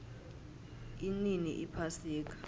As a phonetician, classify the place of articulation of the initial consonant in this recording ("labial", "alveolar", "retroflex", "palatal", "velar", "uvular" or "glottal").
alveolar